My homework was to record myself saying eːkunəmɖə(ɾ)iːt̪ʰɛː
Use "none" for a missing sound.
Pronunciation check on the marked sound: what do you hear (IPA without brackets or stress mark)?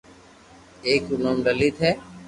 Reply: l